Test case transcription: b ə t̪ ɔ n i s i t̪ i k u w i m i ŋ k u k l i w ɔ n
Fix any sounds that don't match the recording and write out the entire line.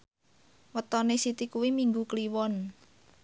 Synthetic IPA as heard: w ə t̪ ɔ n e s i t̪ i k u w i m i ŋ ɡ u k l i w ɔ n